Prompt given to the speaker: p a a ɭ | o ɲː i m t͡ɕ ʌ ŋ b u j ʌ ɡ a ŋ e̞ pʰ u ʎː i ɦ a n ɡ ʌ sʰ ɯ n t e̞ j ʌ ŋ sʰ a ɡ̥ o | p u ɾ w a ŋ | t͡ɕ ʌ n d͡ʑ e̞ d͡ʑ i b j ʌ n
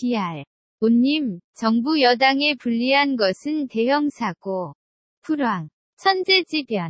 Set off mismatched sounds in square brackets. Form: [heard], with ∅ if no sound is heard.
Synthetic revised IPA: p [i] a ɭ | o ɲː i m t͡ɕ ʌ ŋ b u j ʌ [d] a ŋ e̞ [p] u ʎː i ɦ a n ɡ ʌ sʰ ɯ n t e̞ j ʌ ŋ sʰ a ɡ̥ o | [pʰ] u ɾ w a ŋ | [t͡ɕʰ] ʌ n d͡ʑ e̞ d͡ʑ i b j ʌ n